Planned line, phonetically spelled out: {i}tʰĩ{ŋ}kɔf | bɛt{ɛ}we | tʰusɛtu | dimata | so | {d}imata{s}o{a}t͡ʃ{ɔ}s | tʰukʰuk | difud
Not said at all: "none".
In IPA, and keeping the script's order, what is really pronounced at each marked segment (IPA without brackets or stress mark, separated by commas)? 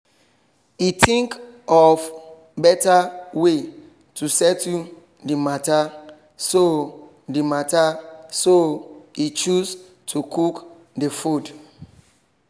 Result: i, ŋ, a, d, s, i, u